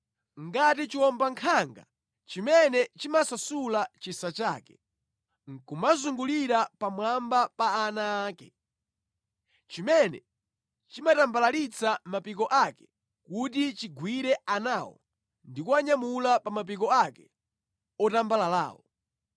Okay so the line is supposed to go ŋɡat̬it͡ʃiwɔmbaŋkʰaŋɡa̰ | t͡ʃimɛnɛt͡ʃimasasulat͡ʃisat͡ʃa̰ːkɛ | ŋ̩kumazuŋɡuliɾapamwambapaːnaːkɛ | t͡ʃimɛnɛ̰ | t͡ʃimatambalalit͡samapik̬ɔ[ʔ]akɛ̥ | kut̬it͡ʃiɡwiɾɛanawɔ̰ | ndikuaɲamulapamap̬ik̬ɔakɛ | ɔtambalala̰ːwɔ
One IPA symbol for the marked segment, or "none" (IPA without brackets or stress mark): ʔ